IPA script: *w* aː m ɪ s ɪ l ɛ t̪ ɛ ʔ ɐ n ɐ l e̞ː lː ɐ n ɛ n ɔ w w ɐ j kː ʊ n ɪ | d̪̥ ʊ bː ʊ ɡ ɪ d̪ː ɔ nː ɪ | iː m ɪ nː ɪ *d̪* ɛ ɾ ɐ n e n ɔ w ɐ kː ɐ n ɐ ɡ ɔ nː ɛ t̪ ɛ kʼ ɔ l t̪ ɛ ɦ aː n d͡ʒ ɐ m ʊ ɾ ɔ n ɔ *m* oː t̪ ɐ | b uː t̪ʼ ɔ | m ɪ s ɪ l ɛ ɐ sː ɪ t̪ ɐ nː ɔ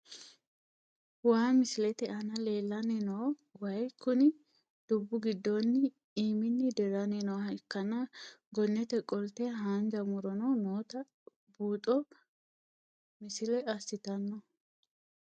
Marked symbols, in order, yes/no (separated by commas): yes, yes, no